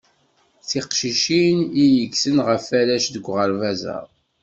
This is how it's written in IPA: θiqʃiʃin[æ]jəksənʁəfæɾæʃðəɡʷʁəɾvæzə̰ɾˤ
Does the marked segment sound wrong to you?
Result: yes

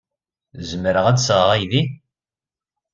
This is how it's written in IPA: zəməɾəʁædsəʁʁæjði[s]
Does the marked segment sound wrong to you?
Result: yes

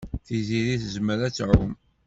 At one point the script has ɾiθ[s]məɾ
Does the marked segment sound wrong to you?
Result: yes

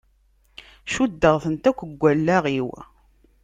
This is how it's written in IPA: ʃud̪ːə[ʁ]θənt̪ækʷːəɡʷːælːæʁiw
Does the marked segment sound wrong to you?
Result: no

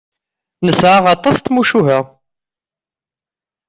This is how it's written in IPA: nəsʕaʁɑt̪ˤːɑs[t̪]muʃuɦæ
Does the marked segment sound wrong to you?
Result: no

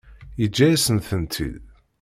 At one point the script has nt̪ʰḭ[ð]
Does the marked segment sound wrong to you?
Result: no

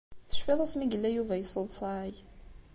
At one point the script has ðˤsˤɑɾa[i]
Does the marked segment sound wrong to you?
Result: yes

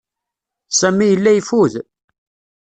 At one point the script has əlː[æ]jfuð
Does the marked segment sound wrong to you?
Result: no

